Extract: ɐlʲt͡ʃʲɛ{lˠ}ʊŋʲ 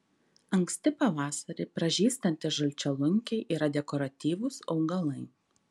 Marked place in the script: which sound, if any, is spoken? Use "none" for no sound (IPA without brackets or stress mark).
lˠ